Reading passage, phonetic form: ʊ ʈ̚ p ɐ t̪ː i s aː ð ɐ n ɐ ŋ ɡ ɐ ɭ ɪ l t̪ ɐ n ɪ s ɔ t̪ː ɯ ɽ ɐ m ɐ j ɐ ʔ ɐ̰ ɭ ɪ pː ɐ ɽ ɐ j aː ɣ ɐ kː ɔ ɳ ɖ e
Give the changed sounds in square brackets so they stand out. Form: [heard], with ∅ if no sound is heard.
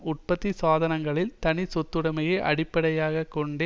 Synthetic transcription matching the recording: ʊ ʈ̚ p ɐ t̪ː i s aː ð ɐ n ɐ ŋ ɡ ɐ ɭ ɪ l t̪ ɐ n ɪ s ɔ t̪ː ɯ ɽ ɐ m ɐ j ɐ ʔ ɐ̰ [ɽ] ɪ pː ɐ ɽ ɐ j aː ɣ ɐ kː ɔ ɳ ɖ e